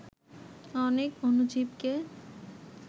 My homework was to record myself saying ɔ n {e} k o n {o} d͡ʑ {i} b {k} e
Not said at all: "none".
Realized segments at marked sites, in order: e, u, i, k

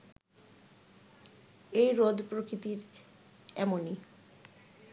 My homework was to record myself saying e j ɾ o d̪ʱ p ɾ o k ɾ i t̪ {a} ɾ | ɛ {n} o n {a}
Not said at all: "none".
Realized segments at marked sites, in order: i, m, i

